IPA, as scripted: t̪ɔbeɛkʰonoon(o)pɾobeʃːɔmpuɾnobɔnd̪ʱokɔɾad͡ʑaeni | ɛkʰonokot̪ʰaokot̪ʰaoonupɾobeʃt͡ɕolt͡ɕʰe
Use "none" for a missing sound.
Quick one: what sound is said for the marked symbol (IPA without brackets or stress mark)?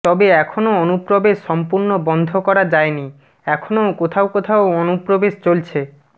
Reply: u